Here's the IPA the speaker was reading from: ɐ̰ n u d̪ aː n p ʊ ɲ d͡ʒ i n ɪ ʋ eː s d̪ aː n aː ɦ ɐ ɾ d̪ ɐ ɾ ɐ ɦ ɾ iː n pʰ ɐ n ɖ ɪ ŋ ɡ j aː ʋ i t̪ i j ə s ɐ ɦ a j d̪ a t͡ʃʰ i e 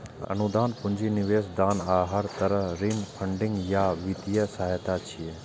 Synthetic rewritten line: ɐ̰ n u d̪ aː n p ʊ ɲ d͡ʒ i n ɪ ʋ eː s d̪ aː n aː ɦ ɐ ɾ t̪ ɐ ɾ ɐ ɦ ɾ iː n pʰ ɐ ɳ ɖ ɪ ŋ ɡ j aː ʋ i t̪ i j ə s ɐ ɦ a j t̪ a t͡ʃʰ i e